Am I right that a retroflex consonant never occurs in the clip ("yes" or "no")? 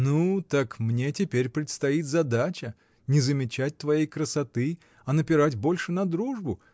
no